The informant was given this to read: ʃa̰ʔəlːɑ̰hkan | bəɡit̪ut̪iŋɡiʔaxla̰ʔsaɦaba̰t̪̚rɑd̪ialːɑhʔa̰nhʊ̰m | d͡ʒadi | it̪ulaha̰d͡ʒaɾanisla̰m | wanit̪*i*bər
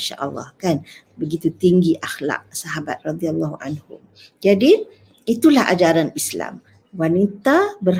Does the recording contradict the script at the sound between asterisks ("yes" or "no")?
yes